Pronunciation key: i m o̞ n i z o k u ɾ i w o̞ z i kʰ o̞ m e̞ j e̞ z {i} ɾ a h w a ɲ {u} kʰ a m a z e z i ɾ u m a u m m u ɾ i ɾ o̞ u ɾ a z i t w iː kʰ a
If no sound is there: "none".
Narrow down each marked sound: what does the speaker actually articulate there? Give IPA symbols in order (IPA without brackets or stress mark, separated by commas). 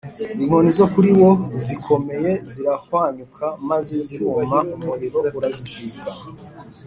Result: i, u